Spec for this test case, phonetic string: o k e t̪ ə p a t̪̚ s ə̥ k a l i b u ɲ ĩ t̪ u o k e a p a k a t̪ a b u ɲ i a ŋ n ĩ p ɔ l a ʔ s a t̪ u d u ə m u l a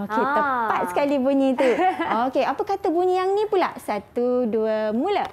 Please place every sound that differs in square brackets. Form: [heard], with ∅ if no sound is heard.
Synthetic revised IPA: o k e t̪ ə p a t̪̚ s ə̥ k a l i b u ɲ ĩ t̪ u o k e a p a k a t̪ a b u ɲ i a ŋ n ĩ p [u] l a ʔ s a t̪ u d u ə m u l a